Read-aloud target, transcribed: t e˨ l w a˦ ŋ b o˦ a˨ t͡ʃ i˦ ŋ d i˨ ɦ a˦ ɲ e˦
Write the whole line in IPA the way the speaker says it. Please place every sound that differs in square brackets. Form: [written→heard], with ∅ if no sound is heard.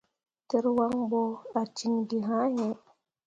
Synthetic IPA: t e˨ [l→ɾ] w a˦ ŋ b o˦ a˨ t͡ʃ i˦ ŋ d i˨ ɦ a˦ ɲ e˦

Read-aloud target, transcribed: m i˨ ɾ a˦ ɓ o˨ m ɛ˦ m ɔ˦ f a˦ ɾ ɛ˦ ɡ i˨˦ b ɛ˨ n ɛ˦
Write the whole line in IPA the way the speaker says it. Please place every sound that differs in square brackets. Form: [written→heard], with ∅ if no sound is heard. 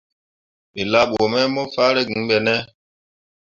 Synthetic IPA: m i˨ [ɾ→l] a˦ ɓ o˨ m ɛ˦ m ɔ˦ f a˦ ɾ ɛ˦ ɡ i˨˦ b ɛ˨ n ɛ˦

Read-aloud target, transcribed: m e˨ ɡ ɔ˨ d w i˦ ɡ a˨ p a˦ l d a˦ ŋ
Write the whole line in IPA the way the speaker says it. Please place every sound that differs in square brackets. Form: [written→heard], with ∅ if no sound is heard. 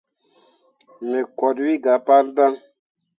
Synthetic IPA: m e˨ [ɡ→k] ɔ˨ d w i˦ ɡ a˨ p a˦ l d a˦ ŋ

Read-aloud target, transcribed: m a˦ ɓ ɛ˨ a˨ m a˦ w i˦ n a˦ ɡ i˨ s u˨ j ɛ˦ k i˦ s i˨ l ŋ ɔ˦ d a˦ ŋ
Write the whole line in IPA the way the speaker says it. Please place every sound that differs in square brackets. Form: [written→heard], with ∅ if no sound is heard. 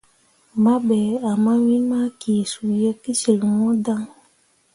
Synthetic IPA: m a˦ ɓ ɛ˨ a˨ m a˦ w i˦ [n→m] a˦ [ɡ→k] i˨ s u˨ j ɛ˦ k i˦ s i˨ l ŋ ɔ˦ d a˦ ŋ

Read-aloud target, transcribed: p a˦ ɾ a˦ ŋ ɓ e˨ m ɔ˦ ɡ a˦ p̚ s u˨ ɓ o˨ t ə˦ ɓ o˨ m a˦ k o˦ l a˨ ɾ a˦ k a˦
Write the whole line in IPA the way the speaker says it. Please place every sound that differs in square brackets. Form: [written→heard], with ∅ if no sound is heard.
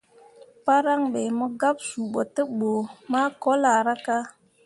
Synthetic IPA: p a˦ ɾ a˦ ŋ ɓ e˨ m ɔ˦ ɡ a˦ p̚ s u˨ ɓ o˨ t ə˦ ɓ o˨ m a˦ k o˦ l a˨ ɾ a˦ k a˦

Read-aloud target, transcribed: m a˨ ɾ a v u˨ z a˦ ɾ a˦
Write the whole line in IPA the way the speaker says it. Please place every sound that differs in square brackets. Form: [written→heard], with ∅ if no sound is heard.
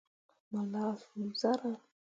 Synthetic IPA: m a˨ [ɾ→l] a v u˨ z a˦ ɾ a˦

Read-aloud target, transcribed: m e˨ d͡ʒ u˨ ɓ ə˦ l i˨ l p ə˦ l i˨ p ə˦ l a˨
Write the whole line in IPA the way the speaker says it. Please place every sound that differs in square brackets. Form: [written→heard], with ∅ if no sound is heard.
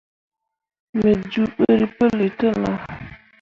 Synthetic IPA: m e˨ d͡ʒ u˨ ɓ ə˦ [l→ɾ] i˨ [l→∅] p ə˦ l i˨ [p→t] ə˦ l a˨

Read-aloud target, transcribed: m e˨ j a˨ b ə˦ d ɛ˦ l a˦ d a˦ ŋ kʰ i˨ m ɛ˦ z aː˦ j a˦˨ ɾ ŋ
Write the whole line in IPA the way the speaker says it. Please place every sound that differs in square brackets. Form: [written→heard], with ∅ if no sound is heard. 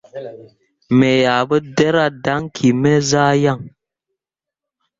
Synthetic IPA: m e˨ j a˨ b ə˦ d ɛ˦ [l→ɾ] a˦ d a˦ ŋ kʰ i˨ m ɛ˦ z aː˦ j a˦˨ [ɾ→∅] ŋ

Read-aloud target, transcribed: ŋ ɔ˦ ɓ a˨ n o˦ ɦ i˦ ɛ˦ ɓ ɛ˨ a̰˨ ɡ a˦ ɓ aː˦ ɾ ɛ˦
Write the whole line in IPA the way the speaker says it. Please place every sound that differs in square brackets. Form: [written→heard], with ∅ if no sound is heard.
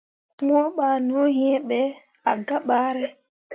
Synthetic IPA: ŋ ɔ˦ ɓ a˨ n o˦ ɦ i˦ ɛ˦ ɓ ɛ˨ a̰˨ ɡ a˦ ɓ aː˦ ɾ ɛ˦

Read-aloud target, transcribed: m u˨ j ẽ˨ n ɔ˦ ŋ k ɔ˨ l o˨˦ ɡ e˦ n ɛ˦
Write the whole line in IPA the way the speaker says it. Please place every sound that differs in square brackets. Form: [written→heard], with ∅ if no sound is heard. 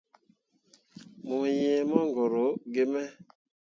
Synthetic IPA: m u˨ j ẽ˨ [n→m] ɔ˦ ŋ [k→ɡ] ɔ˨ [l→ɾ] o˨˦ ɡ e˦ [n→m] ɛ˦

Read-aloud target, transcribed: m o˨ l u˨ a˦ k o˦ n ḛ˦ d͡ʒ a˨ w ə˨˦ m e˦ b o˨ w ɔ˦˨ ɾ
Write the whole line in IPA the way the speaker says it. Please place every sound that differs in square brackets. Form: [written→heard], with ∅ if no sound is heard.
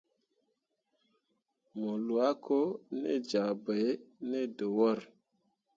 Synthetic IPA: m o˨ l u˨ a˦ k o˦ n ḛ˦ d͡ʒ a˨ [w→b] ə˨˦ [m→n] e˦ [b→d] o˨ w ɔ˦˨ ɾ

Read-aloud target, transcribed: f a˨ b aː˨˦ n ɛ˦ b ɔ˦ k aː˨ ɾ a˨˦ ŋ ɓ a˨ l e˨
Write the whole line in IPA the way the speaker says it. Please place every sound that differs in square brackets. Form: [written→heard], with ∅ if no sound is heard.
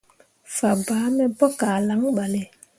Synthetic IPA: f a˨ b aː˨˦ [n→m] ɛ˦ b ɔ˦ k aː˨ [ɾ→l] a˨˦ ŋ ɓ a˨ l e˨

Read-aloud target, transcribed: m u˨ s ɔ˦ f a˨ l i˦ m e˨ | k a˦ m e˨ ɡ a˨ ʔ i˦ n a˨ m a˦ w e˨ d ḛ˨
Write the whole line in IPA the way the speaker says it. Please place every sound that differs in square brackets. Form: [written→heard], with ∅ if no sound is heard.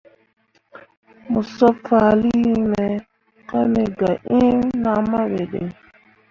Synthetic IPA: m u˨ s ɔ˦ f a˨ l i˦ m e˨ | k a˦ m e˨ ɡ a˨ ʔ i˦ n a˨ m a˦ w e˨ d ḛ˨

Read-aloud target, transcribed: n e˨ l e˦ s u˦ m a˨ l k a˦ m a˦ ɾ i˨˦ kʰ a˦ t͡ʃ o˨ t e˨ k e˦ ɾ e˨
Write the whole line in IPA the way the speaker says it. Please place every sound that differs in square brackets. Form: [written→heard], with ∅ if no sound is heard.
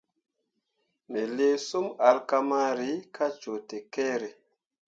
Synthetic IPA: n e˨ l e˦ s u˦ m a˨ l k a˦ m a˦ ɾ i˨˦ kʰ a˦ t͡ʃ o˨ t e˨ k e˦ ɾ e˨

